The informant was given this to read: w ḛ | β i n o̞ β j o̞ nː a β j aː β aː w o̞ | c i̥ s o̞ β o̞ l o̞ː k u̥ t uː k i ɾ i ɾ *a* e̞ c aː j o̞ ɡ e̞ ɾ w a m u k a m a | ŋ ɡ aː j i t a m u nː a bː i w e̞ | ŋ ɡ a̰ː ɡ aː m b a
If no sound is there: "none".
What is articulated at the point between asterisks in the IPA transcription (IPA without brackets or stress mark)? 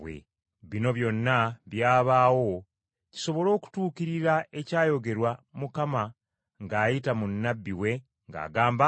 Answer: a